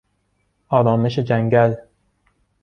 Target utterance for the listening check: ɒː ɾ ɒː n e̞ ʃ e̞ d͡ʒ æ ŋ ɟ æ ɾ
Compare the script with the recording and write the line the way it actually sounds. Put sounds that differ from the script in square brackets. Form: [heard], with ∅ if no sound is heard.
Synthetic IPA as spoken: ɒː ɾ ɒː [m] e̞ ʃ e̞ d͡ʒ æ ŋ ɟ æ [l]